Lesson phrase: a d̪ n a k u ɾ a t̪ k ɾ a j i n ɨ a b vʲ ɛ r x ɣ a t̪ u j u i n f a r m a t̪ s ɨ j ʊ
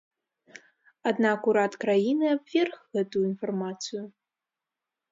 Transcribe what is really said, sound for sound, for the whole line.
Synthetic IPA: a d̪ n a k u ɾ a t̪ k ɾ a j i n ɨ a b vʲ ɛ r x ɣ ɛ t̪ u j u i n f a r m a t̪ s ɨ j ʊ